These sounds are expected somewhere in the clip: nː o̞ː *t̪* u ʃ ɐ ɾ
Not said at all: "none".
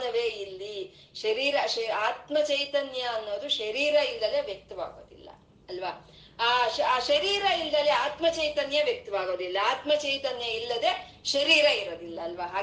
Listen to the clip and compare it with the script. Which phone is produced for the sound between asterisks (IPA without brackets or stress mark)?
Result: d̪